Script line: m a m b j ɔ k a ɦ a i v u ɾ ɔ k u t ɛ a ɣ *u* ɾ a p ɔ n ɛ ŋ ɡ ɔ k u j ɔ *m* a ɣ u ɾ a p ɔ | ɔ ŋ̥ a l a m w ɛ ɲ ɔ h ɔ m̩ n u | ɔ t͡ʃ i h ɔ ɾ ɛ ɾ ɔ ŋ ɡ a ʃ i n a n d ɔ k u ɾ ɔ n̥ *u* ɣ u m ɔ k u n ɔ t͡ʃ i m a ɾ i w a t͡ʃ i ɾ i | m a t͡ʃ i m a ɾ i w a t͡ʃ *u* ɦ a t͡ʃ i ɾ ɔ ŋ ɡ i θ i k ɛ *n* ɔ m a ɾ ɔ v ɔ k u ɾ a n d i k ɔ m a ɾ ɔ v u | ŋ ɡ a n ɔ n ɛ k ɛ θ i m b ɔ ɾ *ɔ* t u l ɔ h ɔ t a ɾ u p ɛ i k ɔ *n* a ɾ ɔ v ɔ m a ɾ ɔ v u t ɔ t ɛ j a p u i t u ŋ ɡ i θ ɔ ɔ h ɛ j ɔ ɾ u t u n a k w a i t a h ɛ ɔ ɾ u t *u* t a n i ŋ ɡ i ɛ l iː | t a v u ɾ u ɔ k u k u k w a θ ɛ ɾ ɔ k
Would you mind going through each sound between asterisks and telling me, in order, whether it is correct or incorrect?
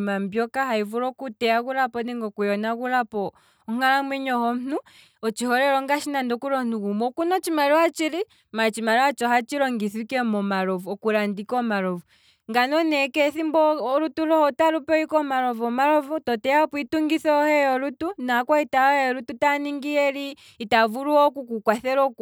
correct, incorrect, correct, incorrect, incorrect, incorrect, incorrect, correct

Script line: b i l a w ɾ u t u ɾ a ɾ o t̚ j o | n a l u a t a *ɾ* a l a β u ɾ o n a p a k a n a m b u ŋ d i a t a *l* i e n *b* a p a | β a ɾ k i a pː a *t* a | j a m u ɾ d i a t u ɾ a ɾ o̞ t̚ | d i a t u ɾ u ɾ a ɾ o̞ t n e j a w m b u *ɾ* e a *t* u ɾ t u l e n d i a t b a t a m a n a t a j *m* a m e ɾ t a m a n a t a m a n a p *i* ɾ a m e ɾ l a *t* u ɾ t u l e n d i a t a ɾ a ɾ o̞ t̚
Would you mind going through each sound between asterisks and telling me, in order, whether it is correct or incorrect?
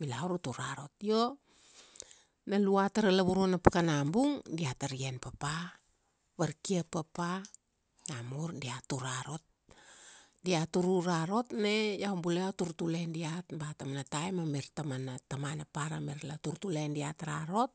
correct, incorrect, incorrect, incorrect, incorrect, correct, correct, incorrect, correct

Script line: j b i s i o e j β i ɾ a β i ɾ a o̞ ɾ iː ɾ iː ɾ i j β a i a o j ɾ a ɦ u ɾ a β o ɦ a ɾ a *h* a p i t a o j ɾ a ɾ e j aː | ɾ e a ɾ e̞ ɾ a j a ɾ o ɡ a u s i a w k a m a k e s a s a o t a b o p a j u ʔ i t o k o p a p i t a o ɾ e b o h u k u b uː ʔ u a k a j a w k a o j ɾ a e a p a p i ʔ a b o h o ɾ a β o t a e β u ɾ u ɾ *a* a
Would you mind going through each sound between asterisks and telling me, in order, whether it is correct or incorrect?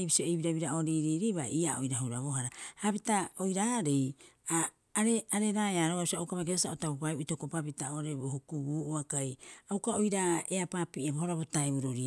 correct, incorrect

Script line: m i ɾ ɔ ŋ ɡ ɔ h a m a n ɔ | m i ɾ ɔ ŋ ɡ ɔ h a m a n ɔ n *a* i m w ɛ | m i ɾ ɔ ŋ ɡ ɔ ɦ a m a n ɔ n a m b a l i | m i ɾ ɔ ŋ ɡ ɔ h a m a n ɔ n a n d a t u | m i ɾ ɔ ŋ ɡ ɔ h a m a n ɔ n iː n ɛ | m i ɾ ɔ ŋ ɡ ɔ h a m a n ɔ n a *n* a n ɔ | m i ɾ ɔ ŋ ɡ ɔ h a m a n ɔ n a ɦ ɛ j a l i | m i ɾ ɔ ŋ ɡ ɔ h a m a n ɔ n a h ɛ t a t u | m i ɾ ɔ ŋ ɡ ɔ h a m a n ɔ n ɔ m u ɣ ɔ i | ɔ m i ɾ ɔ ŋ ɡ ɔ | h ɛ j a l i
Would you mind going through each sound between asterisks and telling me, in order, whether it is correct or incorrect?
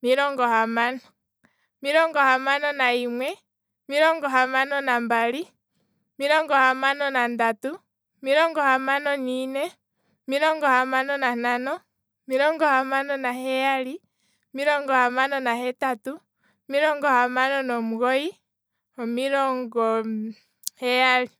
correct, correct

